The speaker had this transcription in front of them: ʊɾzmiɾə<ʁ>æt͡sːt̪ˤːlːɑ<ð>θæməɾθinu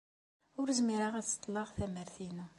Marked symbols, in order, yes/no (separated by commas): yes, no